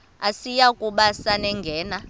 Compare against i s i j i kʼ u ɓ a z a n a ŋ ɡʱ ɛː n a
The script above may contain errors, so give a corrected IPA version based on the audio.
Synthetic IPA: a s i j a kʼ u ɓ a s a n ɛ ŋ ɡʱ ɛː n a